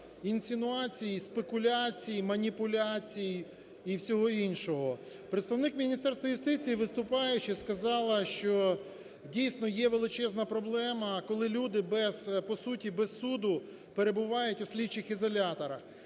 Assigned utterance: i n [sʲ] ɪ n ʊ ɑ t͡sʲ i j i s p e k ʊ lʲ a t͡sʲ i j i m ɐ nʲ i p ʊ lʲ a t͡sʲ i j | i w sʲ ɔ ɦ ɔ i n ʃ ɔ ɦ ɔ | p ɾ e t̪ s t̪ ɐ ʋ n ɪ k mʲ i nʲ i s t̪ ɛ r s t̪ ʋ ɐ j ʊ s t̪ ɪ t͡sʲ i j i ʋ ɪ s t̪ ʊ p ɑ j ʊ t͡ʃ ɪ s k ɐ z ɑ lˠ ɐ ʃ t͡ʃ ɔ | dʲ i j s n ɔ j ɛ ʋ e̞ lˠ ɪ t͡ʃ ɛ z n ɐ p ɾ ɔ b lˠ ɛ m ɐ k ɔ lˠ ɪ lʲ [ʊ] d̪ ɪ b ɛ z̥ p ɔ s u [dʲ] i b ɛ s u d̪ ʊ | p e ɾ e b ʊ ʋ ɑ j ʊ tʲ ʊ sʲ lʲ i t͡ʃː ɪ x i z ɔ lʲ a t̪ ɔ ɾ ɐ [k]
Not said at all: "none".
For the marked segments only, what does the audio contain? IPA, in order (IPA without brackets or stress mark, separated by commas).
sʲ, u, tʲ, x